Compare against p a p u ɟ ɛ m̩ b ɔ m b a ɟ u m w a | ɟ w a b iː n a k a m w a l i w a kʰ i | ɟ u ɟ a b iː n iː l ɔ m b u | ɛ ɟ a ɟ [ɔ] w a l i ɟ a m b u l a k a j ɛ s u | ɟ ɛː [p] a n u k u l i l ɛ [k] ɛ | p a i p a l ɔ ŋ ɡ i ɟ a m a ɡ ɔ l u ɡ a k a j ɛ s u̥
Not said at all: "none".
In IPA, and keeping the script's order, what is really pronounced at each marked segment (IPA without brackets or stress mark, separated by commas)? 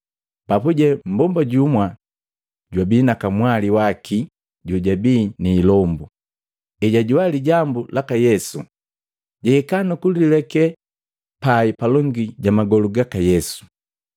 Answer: u, k, k